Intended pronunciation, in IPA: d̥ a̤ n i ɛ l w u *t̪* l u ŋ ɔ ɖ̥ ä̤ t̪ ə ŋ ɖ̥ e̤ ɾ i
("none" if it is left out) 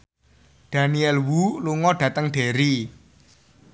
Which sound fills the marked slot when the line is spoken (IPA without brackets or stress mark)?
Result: none